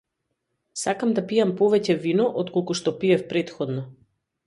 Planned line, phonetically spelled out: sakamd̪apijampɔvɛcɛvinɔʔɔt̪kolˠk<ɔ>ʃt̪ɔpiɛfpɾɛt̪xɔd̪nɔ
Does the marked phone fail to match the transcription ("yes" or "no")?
yes